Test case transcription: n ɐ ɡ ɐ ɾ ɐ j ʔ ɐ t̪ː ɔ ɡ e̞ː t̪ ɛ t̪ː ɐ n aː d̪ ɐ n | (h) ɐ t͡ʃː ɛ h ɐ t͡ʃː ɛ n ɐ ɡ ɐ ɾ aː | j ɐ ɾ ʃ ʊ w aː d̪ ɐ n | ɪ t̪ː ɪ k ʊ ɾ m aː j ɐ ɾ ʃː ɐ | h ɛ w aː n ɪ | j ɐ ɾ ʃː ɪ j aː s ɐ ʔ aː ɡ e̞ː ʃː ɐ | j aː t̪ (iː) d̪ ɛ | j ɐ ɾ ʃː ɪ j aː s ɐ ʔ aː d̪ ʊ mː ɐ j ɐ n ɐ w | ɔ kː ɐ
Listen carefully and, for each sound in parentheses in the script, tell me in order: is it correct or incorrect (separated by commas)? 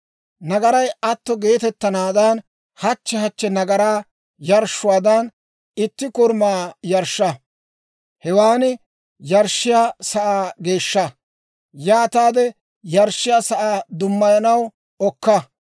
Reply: correct, incorrect